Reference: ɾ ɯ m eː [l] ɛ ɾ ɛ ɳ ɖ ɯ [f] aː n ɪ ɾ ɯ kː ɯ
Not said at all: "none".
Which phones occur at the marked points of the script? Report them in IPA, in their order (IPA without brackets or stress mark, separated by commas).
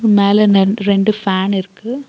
l, f